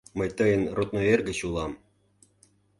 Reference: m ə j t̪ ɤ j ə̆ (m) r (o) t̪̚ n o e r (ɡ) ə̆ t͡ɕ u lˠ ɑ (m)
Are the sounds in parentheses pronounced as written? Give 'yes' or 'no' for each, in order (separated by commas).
no, yes, yes, yes